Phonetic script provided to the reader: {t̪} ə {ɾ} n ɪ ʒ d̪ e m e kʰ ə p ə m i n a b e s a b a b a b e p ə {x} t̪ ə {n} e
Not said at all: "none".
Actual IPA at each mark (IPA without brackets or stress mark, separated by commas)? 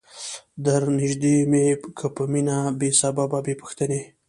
d̪, ɾ, x, n